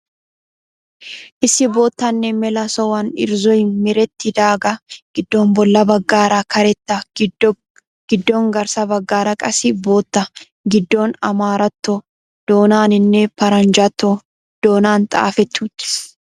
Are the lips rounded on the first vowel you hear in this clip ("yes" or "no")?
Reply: no